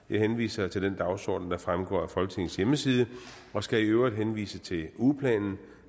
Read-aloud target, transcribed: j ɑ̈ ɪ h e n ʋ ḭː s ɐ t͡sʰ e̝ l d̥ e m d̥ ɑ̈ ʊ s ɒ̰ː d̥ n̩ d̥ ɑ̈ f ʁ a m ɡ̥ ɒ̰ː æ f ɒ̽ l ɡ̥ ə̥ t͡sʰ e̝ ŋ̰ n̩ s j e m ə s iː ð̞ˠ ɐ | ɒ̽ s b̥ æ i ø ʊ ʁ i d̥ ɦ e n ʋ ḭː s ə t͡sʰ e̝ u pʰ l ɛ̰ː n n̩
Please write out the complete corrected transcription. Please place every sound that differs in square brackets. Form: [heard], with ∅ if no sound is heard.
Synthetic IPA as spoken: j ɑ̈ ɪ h e n ʋ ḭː s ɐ t͡sʰ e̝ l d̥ e [n] d̥ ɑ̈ ʊ s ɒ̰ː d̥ n̩ d̥ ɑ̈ f ʁ a m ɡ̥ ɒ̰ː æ f ɒ̽ l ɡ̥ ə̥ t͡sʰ e̝ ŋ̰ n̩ s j e m ə s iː ð̞ˠ [ə] | ɒ̽ s [ɡ̥] æ i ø ʊ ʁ i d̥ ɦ e n ʋ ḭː s ə t͡sʰ e̝ u pʰ l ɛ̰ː n n̩

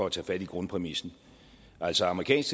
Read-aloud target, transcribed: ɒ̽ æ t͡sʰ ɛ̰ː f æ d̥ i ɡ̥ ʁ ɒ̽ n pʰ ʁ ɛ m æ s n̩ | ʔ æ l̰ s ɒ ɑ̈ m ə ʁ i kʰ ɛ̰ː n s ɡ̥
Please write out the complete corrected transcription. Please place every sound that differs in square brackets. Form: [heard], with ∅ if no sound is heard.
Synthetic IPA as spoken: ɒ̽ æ t͡sʰ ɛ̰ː f æ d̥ i ɡ̥ ʁ [ɔ̽] n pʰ ʁ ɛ m [i] s n̩ | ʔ æ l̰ s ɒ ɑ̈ m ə ʁ i kʰ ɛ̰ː n s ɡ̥

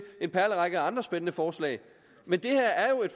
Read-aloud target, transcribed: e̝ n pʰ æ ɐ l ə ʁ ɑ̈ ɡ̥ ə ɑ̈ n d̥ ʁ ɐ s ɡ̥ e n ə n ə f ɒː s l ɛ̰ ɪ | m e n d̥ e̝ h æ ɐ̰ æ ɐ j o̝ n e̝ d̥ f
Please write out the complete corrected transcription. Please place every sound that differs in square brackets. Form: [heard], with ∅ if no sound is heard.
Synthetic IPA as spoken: e̝ n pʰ æ ɐ l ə ʁ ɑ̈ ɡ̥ ə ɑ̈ n d̥ ʁ ɐ s [b̥] e n ə n ə f ɒː s l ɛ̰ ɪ | m e n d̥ e̝ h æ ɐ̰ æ ɐ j o̝ [∅] e̝ d̥ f

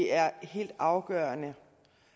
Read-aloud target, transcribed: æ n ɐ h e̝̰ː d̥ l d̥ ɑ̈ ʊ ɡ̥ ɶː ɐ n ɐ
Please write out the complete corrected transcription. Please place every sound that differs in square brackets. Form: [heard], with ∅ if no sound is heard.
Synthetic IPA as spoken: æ [∅] ɐ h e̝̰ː [∅] l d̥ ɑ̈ ʊ ɡ̥ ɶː ɐ n [ə]

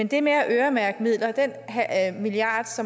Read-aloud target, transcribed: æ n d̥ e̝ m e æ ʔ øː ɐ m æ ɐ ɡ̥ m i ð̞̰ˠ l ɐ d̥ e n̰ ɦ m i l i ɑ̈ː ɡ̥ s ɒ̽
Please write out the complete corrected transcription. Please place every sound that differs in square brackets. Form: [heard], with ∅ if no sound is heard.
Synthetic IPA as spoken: [e] n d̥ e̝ m e æ ʔ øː ɐ m æ ɐ ɡ̥ m i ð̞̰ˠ l ɐ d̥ e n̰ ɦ m i l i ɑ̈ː [d̥] s ɒ̽

